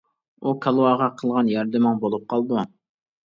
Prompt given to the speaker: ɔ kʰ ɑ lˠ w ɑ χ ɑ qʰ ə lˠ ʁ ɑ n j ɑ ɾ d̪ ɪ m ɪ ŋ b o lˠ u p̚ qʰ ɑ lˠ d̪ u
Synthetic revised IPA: u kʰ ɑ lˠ w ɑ ʁ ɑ qʰ ə lˠ ʁ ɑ n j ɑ ɾ d̪ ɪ m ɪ ŋ b o lˠ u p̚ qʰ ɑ lˠ d̪ u

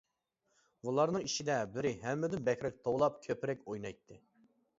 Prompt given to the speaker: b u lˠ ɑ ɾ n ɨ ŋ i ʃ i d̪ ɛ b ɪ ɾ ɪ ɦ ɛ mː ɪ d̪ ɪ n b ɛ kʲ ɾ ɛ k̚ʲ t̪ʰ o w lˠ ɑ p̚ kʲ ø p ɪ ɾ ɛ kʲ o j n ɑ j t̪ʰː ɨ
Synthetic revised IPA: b u lˠ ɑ ɾ n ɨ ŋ i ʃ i d̪ ɛ b ɪ ɾ ɪ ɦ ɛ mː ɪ d̪ ɪ n b ɛ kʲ ɾ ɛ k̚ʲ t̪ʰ o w lˠ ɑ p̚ kʲʰ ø p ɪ ɾ ɛ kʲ o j n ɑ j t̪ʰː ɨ

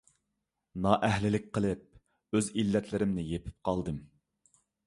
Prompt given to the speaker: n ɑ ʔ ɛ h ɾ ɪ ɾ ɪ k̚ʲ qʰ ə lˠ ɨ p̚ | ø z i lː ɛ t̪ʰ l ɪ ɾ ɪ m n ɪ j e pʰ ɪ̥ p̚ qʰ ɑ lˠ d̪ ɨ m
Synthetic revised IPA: n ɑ ʔ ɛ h l ɪ l ɪ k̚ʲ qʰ ə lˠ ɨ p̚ | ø z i lː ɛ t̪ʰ l ɪ ɾ ɪ m n ɪ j e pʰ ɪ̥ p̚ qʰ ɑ lˠ d̪ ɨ m

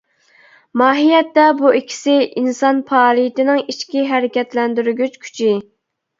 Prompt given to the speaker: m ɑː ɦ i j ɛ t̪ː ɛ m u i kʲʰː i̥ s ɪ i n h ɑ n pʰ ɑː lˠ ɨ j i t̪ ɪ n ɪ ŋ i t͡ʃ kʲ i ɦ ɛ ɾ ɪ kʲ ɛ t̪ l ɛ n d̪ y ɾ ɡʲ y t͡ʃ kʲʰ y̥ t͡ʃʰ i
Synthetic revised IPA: m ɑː ɦ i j ɛ t̪ː ɛ b u i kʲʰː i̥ s ɪ i n s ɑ n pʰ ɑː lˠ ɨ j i t̪ ɪ n ɪ ŋ i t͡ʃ kʲ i ɦ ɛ ɾ ɪ kʲ ɛ t̪ l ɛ n d̪ y ɾ ɡʲ y t͡ʃ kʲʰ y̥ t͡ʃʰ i

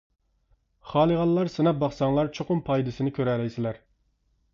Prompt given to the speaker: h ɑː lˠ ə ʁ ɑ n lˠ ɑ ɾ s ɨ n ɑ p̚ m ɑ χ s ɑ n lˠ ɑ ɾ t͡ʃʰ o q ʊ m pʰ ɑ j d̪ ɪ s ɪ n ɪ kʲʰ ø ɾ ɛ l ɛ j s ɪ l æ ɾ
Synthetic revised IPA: χ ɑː lˠ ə ʁ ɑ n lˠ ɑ ɾ s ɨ n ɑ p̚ b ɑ χ s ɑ ŋ lˠ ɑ ɾ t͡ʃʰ o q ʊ m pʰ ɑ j d̪ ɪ s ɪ n ɪ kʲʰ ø ɾ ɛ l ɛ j s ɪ l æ ɾ

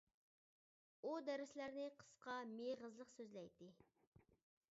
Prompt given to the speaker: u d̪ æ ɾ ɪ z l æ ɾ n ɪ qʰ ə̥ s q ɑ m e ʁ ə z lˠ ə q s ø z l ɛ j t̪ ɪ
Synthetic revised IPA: u d̪ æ ɾ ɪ s l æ ɾ n ɪ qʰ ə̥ s q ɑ m e ʁ ə z lˠ ə q s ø z l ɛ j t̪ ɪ

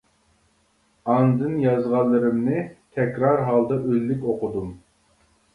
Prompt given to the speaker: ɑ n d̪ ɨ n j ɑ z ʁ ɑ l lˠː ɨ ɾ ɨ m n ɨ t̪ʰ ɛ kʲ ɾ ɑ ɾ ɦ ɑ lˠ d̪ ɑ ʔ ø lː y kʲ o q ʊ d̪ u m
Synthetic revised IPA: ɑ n d̪ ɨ n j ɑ z ʁ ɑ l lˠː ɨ ɾ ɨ m n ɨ t̪ʰ ɛ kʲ ɾ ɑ ɾ ɦ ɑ lˠ d̪ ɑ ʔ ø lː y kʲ o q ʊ d̪ u m

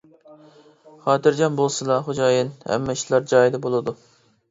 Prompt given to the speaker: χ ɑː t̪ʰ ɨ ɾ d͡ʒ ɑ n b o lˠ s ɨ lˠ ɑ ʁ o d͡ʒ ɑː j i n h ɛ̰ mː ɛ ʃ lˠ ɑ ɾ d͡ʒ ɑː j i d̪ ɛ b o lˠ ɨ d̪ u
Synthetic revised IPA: χ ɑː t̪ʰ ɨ ɾ d͡ʒ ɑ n b o lˠ s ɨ lˠ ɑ χ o d͡ʒ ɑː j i n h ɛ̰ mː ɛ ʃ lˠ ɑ ɾ d͡ʒ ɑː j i d̪ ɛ b o lˠ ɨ d̪ u

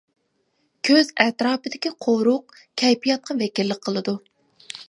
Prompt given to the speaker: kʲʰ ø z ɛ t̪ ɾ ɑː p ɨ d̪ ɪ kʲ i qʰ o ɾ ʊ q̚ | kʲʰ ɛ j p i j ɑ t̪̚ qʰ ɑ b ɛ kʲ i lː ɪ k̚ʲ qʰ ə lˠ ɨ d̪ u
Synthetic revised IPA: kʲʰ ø z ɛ t̪ ɾ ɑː p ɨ d̪ ɪ kʲ i qʰ o ɾ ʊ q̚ | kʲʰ ɛ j p i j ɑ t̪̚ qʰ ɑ v ɛ kʲ i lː ɪ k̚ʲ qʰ ə lˠ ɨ d̪ u

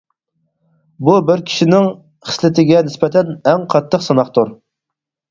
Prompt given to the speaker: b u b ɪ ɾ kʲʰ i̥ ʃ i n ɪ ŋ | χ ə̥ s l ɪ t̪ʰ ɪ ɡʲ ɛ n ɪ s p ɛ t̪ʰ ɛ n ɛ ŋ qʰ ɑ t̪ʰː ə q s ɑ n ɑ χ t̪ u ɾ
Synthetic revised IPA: b u b ɪ ɾ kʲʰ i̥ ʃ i n ɪ ŋ | χ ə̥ s l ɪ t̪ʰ ɪ ɡʲ ɛ n ɪ s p ɛ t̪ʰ ɛ n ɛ ŋ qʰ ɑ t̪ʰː ə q s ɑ n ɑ χ t̪ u ɾ

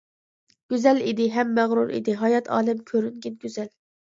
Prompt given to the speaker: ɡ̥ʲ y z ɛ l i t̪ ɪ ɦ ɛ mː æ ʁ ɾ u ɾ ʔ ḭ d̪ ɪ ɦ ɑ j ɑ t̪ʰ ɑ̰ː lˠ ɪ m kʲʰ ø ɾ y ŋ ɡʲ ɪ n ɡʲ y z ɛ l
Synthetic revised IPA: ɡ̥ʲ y z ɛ l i d̪ ɪ ɦ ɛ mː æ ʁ ɾ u ɾ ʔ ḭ d̪ ɪ ɦ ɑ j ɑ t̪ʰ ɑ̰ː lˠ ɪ m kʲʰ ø ɾ y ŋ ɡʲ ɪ n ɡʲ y z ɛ l

